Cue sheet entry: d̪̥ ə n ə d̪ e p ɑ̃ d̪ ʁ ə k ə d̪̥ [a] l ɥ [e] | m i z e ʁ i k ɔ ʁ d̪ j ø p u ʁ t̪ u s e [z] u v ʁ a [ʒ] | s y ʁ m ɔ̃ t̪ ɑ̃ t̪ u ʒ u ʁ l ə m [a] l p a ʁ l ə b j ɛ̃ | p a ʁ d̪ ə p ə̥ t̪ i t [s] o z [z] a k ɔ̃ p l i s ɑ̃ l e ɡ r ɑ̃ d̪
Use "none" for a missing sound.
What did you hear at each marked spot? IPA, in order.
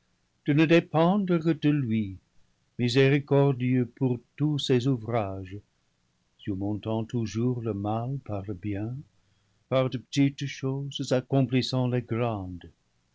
ə, i, z, ʒ, a, ʃ, z

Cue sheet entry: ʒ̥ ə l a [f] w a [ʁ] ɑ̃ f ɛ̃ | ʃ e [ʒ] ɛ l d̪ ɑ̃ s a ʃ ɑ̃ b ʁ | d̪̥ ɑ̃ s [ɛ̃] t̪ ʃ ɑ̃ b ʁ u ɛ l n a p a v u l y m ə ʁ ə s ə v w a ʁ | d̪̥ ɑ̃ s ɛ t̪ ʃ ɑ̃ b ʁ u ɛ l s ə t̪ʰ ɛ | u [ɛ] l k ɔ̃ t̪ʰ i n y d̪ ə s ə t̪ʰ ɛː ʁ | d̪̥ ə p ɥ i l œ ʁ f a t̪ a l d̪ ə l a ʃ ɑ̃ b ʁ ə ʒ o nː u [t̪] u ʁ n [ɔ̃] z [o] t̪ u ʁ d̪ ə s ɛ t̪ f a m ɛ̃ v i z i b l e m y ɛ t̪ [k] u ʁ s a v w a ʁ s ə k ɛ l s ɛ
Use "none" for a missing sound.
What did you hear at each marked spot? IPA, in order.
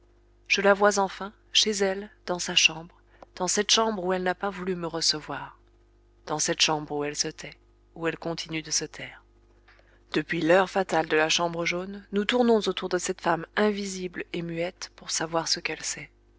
v, z, z, ɛ, ɛ, t̪, ɔ̃, o, p

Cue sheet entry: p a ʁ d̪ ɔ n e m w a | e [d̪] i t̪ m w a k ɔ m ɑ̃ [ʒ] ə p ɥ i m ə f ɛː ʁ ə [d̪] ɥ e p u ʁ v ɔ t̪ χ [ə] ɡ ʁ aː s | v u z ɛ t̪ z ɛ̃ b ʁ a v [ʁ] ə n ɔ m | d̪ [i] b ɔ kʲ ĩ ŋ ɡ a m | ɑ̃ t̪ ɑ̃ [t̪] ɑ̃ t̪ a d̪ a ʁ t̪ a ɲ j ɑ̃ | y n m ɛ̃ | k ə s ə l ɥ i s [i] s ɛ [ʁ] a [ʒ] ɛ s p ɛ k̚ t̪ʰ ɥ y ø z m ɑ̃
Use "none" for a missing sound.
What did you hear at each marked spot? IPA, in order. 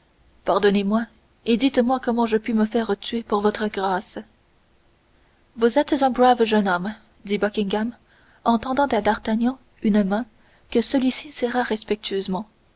d̪, ʒ, t̪, ə, ʒ, i, d̪, i, ʁ, ʁ

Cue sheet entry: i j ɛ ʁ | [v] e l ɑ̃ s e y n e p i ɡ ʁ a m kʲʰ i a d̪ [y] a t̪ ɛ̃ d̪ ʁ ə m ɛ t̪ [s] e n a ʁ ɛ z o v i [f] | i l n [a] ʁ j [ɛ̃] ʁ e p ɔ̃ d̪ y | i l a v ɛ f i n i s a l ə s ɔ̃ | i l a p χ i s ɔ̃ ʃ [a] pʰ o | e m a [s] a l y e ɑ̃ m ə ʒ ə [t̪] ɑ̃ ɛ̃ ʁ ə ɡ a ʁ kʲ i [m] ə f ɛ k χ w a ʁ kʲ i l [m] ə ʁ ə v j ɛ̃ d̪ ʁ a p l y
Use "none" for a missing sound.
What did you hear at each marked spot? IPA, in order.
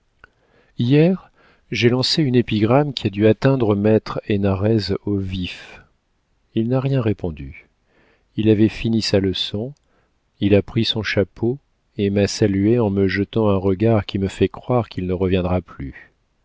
ʒ, y, χ, f, a, ɛ̃, a, s, t̪, m, n

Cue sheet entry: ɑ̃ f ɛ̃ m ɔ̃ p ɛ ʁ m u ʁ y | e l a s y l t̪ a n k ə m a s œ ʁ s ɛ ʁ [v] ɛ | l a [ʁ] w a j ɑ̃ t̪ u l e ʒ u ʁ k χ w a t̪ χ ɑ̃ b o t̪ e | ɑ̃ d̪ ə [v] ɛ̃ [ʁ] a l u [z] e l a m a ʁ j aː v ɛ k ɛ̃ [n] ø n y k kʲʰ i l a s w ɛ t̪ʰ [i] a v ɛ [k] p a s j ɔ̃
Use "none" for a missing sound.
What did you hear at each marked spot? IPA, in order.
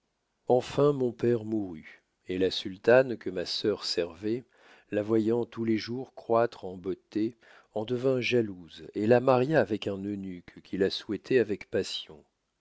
v, v, v, ʒ, z, n, ɛ, k

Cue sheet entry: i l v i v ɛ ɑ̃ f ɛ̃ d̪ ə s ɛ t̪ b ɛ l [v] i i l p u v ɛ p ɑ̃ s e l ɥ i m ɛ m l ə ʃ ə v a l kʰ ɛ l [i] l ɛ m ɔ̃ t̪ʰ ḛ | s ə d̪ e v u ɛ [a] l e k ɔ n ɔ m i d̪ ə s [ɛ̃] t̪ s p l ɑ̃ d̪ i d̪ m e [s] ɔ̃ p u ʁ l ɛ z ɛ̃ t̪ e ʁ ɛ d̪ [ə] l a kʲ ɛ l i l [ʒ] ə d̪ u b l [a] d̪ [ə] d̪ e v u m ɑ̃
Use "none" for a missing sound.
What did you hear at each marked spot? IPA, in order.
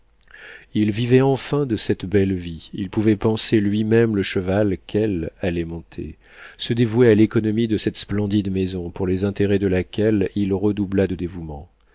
v, a, a, ɛ, z, ə, ʁ, a, ə

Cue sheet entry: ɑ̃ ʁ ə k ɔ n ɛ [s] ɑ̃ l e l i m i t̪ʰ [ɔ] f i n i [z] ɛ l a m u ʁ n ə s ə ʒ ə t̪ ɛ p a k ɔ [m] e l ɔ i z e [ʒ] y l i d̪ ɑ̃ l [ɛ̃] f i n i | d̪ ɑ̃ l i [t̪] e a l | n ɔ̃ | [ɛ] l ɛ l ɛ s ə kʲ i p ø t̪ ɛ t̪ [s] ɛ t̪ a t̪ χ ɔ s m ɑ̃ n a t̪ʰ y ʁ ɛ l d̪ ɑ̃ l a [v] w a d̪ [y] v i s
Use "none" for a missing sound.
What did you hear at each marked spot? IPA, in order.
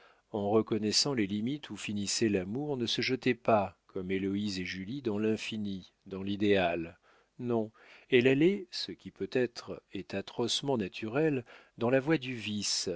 s, u, s, m, ʒ, ɛ̃, d̪, ɛ, χ, v, y

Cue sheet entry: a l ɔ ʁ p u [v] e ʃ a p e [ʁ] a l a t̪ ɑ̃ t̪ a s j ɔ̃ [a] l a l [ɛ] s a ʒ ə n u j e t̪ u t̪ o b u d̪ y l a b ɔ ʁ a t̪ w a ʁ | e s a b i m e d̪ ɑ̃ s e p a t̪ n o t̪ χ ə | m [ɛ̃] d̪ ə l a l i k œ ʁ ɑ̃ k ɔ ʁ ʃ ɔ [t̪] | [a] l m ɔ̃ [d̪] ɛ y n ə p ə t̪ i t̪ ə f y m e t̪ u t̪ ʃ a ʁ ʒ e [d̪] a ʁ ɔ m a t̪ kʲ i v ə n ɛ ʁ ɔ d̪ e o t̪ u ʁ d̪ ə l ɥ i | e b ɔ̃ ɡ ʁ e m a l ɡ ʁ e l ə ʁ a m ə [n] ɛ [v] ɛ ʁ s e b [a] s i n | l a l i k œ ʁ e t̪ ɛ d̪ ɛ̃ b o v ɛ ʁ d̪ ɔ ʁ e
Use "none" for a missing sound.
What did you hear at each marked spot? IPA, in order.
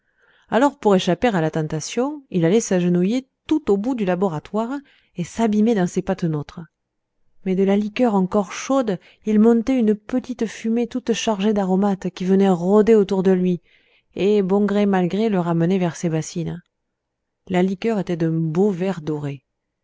ʁ, ʁ, i, ɛ, ɛ, d̪, i, t̪, d̪, n, v, a

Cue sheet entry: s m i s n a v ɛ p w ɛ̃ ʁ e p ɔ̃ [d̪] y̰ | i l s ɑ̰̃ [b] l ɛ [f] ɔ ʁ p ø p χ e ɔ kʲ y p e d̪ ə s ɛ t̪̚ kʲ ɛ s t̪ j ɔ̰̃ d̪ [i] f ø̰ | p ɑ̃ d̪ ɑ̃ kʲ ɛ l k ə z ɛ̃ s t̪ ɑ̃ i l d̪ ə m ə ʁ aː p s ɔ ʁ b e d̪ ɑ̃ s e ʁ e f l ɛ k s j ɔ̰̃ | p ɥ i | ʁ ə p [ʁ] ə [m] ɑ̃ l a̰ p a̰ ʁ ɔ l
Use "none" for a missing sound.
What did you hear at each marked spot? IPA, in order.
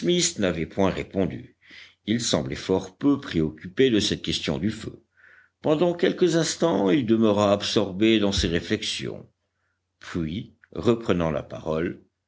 d̪, b, f, y, χ, n

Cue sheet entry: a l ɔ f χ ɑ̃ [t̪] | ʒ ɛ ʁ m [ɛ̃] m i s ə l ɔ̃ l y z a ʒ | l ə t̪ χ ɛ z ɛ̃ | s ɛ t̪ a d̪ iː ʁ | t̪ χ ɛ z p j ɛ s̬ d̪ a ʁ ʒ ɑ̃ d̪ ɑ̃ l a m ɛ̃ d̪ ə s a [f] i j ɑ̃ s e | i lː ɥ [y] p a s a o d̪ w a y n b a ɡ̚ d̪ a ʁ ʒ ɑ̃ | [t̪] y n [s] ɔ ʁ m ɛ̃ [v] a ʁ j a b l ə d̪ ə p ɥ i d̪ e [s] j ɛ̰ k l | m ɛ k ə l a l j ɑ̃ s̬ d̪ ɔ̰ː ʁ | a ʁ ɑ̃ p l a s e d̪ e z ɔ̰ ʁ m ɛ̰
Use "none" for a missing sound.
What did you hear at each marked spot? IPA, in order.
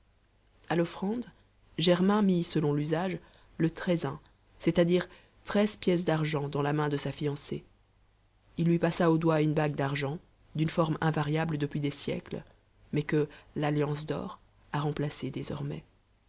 d̪, ɛ̃, f, i, d̪, f, v, s

